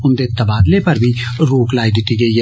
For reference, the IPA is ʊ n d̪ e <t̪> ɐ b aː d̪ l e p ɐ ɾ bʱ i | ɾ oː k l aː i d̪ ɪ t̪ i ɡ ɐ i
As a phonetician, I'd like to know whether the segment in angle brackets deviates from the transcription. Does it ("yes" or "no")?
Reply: no